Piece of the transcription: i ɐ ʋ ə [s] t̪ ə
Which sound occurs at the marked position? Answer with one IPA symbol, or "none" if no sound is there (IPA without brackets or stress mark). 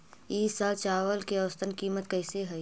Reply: s